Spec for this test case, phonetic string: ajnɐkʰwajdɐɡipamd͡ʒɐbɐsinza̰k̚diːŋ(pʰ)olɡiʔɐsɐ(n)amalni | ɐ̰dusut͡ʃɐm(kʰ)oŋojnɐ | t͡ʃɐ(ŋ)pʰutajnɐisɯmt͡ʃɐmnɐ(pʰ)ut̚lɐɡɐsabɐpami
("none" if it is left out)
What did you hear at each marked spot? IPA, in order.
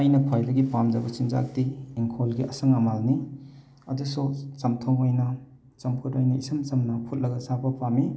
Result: kʰ, ŋ, tʰ, m, pʰ

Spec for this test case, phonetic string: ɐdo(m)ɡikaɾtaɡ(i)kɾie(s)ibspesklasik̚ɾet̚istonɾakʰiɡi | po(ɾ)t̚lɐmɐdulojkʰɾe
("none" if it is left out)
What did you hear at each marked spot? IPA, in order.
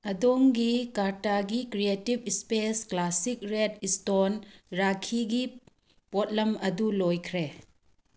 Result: ŋ, i, t, none

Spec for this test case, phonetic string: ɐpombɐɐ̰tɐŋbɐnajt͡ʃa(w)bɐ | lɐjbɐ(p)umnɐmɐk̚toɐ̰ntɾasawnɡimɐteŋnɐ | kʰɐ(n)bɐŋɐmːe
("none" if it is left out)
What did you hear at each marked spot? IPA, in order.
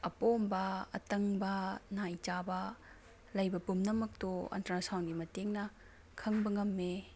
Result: none, p, ŋ

